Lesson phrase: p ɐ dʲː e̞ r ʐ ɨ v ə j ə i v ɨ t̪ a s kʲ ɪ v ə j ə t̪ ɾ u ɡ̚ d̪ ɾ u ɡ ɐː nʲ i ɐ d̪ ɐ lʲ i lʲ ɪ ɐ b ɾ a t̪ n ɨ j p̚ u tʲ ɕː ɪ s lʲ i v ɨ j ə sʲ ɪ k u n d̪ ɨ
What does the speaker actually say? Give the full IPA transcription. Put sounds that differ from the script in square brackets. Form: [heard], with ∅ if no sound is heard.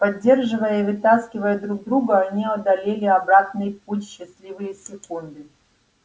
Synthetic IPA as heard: p ɐ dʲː e̞ r ʐ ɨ v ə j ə i v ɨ t̪ a s kʲ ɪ v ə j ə [d̪] ɾ u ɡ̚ d̪ ɾ u ɡ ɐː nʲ i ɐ d̪ ɐ lʲ [e] lʲ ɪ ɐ b ɾ a t̪ n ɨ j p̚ u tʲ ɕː ɪ s lʲ i v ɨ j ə sʲ ɪ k u n d̪ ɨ